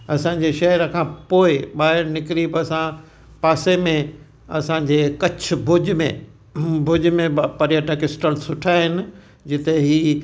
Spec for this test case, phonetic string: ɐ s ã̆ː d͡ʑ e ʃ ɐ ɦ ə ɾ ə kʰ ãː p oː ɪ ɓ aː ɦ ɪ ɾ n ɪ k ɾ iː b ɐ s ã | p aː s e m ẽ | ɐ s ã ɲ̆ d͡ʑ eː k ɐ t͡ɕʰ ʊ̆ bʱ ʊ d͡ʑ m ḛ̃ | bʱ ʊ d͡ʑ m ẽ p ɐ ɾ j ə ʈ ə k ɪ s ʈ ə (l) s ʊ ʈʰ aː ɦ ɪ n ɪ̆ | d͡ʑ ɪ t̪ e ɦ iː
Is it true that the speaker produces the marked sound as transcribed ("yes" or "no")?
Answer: yes